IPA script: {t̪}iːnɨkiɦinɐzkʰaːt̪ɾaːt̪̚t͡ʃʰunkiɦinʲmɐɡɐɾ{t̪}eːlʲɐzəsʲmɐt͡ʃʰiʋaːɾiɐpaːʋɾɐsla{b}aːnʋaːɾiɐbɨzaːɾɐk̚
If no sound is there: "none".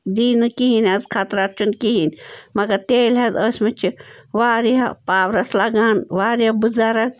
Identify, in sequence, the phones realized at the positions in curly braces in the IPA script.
d̪, t̪, ɡ

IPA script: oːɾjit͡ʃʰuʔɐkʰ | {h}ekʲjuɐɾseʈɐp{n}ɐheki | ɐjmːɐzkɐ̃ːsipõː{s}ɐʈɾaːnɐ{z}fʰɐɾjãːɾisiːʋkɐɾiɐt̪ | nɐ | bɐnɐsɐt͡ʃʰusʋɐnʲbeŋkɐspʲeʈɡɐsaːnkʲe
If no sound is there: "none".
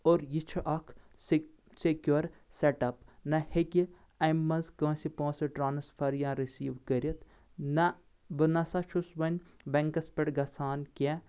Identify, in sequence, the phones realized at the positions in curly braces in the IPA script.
s, n, s, s

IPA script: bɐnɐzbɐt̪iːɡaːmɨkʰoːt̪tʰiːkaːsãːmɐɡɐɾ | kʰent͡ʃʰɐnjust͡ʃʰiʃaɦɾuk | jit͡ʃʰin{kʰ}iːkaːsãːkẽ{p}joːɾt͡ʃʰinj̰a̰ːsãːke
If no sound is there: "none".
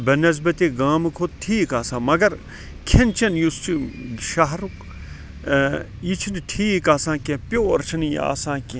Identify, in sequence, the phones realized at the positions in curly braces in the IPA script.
ʈʰ, p

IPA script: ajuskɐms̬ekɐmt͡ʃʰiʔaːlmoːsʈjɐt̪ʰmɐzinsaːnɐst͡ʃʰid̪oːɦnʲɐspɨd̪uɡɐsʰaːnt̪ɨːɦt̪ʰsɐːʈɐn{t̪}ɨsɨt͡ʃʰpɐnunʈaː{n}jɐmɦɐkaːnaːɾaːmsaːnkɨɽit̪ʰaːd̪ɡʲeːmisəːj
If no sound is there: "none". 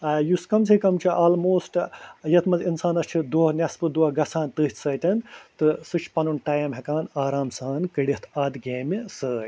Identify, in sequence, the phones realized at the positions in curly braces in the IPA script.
t̪, none

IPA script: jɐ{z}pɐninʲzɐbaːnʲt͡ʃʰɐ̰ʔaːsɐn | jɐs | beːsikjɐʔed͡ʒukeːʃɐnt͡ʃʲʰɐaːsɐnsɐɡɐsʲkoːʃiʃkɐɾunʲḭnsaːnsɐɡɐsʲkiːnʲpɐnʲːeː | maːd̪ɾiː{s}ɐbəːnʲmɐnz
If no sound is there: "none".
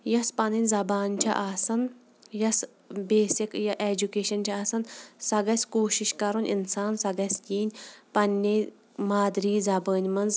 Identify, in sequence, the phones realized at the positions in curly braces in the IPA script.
s, z

